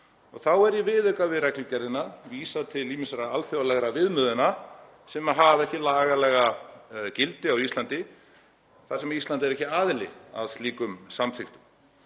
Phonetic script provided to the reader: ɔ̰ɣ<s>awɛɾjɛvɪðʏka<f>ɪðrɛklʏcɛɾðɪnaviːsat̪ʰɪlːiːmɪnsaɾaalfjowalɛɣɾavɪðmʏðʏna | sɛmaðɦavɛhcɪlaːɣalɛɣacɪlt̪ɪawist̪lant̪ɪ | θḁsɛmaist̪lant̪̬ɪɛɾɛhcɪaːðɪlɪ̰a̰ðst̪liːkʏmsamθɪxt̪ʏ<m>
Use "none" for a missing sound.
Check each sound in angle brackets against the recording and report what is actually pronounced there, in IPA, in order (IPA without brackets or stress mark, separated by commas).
θ, v, m